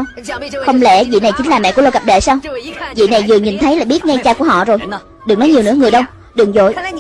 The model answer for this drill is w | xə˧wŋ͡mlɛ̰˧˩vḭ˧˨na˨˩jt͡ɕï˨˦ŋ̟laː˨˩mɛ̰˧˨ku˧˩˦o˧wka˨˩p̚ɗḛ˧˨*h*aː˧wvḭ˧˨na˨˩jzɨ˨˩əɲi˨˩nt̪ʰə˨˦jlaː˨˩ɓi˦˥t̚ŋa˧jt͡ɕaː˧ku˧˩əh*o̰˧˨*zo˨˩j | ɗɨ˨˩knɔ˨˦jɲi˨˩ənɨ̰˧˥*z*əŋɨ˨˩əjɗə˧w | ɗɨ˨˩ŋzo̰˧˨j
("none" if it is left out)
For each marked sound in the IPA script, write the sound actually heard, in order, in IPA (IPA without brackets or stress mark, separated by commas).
s, ɔ̰˧˨, none